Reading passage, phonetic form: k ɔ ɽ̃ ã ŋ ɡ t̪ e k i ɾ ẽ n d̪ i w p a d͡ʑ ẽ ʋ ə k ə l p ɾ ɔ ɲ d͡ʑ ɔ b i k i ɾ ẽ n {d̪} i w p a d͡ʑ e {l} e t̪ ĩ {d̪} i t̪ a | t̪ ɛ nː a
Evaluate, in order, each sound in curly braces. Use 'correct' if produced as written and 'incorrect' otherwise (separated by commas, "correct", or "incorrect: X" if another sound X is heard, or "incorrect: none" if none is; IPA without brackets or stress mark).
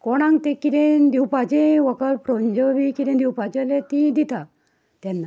correct, correct, correct